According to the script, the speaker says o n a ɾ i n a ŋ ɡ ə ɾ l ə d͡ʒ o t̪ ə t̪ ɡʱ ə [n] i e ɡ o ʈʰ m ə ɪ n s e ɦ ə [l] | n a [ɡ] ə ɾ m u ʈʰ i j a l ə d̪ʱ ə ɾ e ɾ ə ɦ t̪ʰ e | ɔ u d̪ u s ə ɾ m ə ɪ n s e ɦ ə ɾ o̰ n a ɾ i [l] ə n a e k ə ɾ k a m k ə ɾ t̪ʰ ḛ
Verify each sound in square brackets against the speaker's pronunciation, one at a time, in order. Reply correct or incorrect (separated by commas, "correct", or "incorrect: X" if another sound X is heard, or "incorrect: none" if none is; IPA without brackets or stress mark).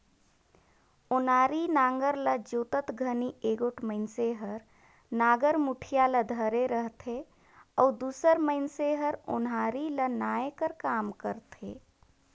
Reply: correct, incorrect: ɾ, correct, correct